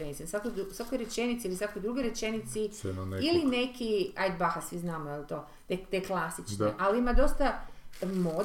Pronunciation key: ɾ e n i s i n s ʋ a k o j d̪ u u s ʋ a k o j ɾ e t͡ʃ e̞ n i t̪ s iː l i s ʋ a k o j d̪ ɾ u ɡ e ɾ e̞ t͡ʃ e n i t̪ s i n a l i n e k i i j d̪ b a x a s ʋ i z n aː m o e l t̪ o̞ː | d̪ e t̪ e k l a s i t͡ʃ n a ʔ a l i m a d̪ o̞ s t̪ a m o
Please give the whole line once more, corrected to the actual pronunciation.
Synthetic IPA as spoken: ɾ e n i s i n s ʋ a k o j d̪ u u s ʋ a k o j ɾ e t͡ʃ e̞ n i t̪ s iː l i s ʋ a k o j d̪ ɾ u ɡ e ɾ e̞ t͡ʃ e n i t̪ s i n i l i n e k i a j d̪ b a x a s ʋ i z n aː m o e l t̪ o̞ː | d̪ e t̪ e k l a s i t͡ʃ n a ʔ a l i m a d̪ o̞ s t̪ a m o